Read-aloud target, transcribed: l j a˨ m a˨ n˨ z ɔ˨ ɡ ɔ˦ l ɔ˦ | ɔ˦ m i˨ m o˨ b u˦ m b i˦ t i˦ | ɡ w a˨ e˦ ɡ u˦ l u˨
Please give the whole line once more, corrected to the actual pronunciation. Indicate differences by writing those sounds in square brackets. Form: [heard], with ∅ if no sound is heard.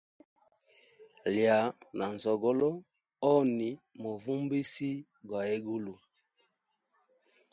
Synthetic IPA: l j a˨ [n] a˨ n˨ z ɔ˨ ɡ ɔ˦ l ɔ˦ | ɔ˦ [n] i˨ m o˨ [v] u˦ m b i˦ [s] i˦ | ɡ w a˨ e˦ ɡ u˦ l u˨